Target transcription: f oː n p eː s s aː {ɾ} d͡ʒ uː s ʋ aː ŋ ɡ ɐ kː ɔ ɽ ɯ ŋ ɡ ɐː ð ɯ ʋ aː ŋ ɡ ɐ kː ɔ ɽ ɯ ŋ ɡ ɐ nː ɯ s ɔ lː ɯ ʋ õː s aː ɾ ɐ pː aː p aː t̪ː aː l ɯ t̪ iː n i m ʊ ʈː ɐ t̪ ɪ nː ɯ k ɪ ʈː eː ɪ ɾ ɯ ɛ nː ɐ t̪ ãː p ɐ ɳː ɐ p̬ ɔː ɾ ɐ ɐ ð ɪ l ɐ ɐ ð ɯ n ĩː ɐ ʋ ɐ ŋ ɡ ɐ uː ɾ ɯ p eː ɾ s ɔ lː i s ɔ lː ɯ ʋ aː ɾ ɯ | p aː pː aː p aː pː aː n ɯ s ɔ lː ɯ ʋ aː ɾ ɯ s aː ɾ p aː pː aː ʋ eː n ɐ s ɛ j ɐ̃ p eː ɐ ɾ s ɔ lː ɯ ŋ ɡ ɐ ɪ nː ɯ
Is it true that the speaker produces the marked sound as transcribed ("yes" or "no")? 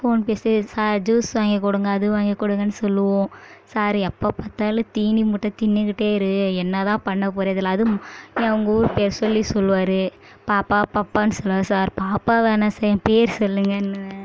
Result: yes